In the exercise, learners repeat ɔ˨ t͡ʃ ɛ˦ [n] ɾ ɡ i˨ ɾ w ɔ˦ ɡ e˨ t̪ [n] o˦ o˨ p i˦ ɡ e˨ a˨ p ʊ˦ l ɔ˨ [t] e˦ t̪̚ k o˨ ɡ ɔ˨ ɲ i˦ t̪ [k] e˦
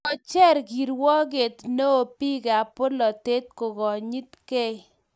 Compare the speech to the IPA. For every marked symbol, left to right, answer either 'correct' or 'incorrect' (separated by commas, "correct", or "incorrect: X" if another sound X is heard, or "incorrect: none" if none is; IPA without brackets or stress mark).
incorrect: none, correct, correct, correct